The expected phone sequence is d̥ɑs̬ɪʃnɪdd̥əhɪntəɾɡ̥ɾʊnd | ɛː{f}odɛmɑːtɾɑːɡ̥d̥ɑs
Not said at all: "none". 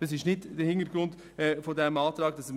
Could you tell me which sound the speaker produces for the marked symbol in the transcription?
f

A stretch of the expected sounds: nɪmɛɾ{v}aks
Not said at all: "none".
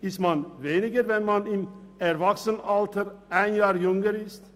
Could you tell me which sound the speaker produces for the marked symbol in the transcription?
v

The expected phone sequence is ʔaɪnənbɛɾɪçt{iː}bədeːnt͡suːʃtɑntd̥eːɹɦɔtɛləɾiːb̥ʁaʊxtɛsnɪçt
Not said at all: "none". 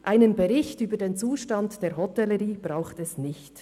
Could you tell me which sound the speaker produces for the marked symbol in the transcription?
yː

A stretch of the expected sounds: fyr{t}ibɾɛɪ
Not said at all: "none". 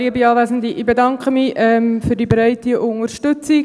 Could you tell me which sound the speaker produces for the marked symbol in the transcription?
d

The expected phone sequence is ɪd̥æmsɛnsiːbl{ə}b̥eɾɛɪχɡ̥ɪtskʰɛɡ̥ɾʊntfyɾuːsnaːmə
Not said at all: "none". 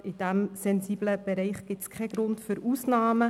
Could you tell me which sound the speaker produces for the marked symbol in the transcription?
ə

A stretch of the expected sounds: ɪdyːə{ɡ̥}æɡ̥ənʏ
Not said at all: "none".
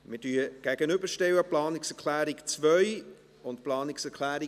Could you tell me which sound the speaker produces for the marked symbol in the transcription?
ɡ̥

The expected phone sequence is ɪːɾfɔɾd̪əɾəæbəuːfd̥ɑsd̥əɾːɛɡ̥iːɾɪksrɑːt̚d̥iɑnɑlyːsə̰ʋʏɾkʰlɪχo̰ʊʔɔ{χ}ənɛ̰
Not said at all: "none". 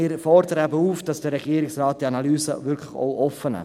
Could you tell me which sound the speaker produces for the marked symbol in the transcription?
f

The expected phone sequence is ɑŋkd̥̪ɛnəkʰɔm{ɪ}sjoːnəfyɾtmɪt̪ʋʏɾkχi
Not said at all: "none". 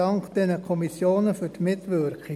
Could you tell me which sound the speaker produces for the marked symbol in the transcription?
i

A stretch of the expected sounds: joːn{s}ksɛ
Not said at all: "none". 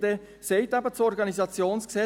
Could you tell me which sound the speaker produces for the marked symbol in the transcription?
s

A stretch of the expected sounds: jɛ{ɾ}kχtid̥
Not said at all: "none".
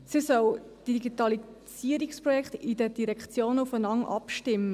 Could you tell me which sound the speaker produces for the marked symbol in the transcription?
none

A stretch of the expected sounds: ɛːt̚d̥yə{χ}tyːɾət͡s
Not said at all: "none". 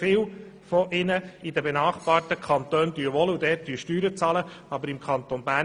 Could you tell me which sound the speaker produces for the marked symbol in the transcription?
ʃ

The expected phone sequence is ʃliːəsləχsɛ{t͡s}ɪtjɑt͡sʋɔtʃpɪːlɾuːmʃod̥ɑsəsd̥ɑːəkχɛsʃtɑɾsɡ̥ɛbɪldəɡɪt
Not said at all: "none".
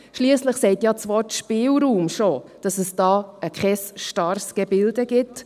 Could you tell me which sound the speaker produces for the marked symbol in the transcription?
none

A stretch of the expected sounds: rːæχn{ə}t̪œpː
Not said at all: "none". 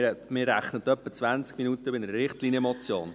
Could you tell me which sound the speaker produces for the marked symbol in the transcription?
ə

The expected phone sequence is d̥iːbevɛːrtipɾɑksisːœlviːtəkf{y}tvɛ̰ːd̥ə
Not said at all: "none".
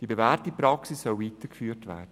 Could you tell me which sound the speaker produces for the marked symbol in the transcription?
yː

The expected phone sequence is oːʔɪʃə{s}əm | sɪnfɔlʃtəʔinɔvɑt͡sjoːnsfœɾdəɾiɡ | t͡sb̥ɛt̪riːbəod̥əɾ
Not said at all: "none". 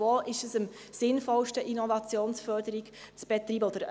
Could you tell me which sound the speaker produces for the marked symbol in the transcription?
s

